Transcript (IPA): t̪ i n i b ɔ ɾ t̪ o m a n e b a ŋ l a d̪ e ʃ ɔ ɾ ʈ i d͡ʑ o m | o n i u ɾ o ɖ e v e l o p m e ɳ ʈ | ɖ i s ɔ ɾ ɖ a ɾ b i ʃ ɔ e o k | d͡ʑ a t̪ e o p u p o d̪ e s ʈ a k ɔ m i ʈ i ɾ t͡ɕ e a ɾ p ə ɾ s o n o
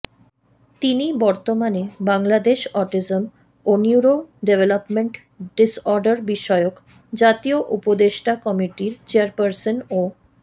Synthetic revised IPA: t̪ i n i b ɔ ɾ t̪ o m a n e b a ŋ l a d̪ e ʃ ɔ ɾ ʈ i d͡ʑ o m | o n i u ɾ o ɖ e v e l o p m e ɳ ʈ | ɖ i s ɔ ɾ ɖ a ɾ b i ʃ ɔ e o k | d͡ʑ a t̪ i o ʔ u p o d̪ e ʃ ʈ a k ɔ m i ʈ i ɾ t͡ɕ e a ɾ p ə ɾ s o n o